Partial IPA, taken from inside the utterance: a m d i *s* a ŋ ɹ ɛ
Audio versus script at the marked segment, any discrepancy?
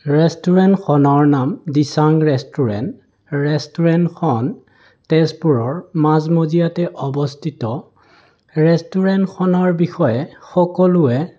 no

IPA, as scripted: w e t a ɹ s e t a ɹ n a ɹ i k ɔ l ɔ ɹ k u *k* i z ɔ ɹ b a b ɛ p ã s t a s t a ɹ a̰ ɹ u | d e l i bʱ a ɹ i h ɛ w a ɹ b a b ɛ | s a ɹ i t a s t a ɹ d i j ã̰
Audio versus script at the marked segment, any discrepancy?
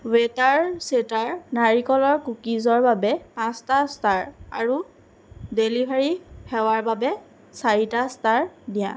no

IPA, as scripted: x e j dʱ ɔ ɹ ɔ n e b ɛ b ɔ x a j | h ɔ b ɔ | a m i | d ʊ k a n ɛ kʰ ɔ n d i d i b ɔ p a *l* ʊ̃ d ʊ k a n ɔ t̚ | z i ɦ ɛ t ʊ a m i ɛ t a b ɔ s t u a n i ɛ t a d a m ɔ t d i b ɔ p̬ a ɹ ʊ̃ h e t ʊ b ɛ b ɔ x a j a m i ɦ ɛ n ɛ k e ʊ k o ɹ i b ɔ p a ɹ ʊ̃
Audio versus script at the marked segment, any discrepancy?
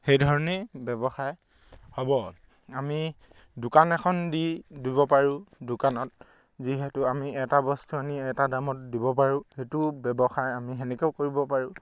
yes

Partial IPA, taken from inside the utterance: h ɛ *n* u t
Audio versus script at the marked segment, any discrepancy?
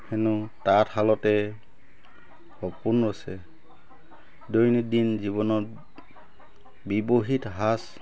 no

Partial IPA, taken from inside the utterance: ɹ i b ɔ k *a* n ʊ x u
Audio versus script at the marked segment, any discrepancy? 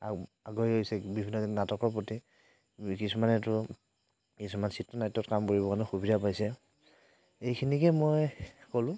no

